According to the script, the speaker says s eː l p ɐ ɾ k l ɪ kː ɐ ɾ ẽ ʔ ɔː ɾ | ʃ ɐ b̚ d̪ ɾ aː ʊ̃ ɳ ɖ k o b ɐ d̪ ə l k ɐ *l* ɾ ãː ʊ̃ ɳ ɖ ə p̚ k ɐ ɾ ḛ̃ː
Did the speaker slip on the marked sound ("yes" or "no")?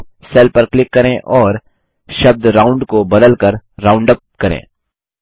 yes